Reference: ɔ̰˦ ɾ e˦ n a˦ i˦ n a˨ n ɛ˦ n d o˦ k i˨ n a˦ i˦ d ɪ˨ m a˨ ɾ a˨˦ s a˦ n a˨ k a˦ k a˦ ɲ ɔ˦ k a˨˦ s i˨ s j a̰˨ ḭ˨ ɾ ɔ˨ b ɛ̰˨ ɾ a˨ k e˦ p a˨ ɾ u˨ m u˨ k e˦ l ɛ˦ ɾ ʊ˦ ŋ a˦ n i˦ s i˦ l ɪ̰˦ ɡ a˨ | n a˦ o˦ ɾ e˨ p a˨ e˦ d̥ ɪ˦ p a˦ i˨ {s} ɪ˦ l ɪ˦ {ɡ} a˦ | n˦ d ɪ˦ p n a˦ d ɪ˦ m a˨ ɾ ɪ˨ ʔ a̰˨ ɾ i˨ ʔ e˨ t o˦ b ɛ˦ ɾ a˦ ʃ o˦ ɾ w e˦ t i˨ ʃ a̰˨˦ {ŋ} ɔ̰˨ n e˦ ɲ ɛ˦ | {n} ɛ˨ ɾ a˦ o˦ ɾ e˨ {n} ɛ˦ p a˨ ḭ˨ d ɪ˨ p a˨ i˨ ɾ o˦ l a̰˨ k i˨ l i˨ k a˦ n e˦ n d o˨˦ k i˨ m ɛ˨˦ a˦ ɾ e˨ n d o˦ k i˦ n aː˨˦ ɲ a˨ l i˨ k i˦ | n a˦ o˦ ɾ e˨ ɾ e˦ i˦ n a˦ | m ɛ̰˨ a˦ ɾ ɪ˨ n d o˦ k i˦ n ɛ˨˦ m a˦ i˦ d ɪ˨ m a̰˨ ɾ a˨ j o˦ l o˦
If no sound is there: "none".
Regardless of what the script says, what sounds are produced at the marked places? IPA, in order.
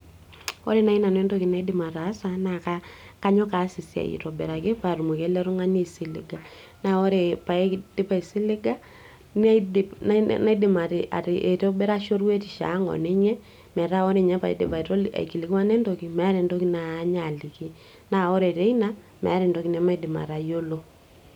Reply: s, ɡ, ŋ, m, ɲ

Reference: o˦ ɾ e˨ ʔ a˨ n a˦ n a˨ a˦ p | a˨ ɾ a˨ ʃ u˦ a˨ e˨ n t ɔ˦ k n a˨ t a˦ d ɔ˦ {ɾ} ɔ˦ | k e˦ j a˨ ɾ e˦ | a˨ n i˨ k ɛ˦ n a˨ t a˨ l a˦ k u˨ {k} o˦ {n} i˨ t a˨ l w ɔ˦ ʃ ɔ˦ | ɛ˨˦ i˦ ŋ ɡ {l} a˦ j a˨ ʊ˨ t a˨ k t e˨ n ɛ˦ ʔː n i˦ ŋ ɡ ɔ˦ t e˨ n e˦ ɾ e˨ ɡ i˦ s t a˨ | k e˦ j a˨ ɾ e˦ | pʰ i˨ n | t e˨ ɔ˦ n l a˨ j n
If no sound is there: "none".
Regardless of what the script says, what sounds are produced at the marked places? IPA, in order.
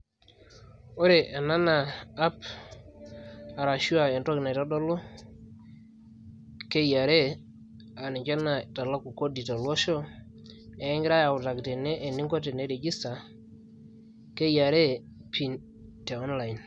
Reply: l, k, d, ɾ

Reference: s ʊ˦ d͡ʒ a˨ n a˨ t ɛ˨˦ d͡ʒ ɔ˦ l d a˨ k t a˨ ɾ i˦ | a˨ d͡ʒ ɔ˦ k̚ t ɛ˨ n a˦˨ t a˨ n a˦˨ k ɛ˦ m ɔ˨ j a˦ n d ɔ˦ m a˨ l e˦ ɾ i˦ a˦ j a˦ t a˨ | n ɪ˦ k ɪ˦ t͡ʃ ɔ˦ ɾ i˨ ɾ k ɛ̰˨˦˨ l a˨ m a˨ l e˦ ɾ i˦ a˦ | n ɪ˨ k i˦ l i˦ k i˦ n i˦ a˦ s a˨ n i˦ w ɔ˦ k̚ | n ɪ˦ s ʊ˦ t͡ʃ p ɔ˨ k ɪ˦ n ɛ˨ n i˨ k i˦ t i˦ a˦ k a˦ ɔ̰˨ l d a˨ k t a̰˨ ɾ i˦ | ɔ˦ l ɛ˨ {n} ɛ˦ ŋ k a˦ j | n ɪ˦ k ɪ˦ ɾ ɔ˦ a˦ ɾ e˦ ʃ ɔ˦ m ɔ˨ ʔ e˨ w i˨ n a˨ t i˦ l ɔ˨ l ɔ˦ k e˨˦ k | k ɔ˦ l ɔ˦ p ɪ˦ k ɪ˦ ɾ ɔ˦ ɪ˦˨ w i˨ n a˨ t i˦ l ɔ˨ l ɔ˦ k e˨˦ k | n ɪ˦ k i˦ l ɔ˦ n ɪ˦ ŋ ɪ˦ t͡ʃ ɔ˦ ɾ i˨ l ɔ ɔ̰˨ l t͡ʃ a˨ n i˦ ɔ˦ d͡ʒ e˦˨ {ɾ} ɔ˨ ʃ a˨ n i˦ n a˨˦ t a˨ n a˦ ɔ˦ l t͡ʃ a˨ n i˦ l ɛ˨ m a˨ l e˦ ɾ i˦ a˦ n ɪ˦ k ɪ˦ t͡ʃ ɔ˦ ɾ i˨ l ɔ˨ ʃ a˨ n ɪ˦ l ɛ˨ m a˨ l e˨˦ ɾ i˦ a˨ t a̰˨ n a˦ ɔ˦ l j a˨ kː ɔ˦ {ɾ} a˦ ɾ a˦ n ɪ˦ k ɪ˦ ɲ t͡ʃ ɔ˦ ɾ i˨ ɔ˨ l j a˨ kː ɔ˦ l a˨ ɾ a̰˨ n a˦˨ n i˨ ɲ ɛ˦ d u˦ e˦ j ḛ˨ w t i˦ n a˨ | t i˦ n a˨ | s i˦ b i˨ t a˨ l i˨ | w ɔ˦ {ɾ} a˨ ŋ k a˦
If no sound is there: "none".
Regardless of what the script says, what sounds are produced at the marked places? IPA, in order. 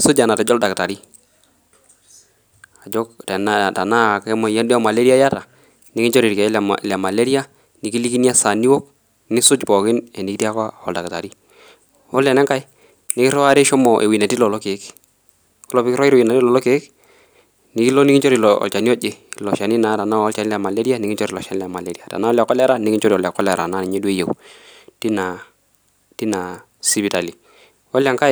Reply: n, l, l, l

